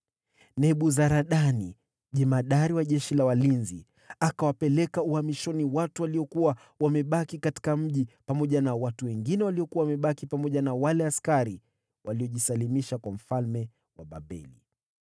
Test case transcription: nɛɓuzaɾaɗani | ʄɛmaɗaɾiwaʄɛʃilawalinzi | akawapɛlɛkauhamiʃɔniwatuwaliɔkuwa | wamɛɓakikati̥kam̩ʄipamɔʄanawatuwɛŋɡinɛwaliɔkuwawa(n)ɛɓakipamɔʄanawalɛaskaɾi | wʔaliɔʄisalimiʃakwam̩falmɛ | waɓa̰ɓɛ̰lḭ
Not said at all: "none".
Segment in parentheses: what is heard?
m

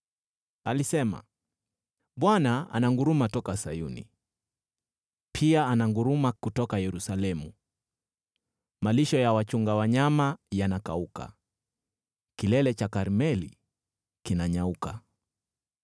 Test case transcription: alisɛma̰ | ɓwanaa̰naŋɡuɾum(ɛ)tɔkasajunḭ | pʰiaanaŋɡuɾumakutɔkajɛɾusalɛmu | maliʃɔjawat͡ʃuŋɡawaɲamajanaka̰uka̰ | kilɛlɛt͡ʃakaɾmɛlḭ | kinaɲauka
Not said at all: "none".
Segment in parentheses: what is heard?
a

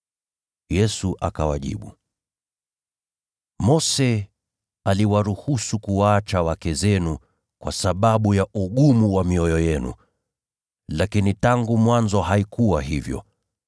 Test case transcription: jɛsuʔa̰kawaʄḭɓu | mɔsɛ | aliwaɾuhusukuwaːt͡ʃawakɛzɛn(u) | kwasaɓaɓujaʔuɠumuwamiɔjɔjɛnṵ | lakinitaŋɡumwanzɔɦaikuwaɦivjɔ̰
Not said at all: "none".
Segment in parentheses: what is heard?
u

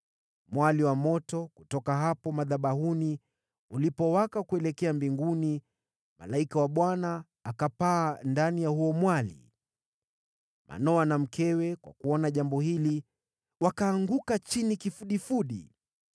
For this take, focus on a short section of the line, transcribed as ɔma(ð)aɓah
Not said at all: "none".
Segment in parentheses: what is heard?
ð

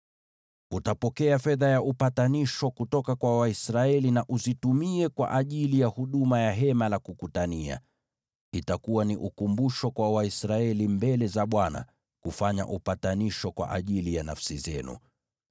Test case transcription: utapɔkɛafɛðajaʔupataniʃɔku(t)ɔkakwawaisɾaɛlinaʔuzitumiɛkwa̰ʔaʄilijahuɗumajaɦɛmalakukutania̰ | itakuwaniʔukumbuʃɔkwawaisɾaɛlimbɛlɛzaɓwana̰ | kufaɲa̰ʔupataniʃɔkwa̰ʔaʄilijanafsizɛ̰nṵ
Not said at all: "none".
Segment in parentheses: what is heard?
t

